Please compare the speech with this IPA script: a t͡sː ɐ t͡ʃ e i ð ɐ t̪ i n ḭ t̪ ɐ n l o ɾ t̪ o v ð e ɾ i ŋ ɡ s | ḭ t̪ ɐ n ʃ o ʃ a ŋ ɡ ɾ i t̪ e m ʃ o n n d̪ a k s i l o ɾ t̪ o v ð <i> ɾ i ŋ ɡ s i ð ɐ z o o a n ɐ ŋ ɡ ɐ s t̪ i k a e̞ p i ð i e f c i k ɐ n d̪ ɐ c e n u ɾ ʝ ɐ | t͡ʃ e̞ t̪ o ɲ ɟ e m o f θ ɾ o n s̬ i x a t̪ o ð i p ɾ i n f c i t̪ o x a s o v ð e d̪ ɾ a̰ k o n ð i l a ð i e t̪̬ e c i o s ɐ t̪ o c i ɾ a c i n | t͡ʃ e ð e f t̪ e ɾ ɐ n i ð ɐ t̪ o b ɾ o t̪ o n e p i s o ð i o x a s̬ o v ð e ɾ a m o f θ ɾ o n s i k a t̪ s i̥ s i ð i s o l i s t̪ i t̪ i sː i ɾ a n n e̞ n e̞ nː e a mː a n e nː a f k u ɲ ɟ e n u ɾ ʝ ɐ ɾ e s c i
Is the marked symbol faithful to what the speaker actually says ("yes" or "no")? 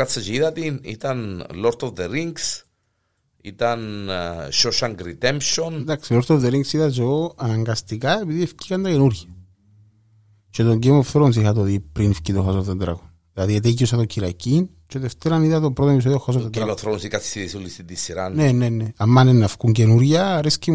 no